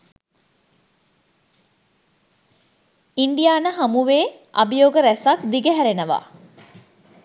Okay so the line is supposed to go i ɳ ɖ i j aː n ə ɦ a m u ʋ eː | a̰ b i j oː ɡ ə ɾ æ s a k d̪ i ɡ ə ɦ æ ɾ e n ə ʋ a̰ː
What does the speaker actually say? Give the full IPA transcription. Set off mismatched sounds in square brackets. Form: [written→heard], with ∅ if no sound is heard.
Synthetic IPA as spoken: i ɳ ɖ i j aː n ə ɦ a m u ʋ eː | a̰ b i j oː ɡ ə ɾ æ s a k d̪ i ɡ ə ɦ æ ɾ e n ə ʋ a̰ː